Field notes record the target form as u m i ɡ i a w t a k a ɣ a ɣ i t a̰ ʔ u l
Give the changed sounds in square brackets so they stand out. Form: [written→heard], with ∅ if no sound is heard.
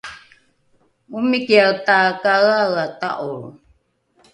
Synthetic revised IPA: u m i [ɡ→k] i a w t a k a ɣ a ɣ [i→a] t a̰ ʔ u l